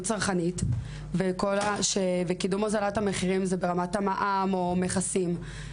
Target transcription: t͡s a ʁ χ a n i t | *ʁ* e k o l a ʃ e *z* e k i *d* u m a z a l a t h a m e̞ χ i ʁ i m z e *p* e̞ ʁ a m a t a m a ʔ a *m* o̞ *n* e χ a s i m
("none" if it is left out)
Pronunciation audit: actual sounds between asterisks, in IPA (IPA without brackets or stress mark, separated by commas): v, v, d, b, m, m